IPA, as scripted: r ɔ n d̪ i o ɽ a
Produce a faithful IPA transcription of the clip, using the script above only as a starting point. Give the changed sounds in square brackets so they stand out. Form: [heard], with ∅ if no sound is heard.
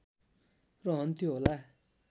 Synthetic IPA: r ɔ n [t̪] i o [l] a